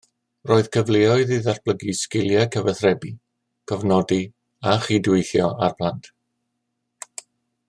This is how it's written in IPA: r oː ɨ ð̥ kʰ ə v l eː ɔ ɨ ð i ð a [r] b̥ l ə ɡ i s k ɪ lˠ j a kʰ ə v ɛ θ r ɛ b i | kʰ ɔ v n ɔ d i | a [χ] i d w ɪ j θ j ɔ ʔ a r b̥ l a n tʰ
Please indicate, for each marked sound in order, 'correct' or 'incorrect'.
correct, correct

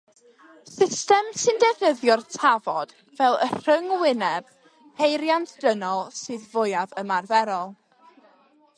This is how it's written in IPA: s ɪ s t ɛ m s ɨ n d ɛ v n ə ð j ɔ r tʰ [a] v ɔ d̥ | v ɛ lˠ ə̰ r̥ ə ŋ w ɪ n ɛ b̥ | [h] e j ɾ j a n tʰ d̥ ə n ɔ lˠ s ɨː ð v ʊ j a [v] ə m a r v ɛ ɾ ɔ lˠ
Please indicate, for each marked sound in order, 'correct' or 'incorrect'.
correct, correct, correct

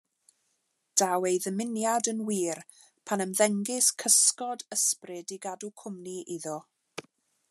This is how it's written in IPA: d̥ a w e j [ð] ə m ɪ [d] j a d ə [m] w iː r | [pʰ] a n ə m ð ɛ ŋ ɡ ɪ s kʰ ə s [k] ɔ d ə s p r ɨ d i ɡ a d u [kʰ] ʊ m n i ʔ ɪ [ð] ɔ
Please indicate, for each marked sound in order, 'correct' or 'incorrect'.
correct, incorrect: n, incorrect: n, correct, correct, correct, correct

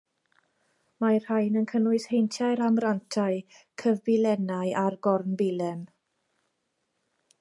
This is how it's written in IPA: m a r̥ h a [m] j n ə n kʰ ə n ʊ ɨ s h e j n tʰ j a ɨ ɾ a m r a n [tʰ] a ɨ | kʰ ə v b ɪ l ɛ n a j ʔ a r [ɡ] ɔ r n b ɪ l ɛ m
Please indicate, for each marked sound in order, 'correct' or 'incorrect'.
incorrect: none, correct, correct

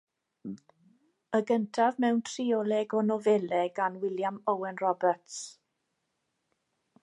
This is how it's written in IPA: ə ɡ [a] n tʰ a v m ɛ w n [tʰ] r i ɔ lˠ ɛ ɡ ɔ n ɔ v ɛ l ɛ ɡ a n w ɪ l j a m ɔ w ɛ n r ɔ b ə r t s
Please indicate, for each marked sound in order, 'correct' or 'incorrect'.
incorrect: ə, correct

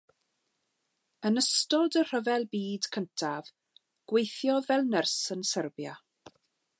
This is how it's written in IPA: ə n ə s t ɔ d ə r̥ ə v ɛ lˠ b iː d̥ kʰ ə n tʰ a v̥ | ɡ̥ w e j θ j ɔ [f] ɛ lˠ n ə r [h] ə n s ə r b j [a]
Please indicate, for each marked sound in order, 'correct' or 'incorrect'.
incorrect: v, incorrect: s, correct

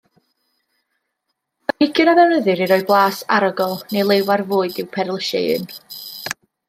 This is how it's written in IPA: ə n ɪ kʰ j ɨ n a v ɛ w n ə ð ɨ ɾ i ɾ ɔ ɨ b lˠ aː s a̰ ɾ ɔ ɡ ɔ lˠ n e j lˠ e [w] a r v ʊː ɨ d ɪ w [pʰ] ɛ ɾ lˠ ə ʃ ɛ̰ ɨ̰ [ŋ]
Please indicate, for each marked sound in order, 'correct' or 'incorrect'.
correct, correct, incorrect: n

